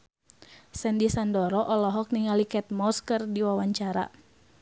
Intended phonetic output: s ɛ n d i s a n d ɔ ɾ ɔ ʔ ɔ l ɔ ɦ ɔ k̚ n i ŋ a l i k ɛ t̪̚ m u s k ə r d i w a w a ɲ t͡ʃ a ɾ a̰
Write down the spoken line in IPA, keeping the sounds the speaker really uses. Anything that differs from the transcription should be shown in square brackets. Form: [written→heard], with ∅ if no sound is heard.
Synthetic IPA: s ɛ n d i s a n d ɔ ɾ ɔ ʔ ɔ l ɔ ɦ ɔ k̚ n i ŋ a l i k ɛ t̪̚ m [u→ɔ] s k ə r d i w a w a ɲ t͡ʃ a ɾ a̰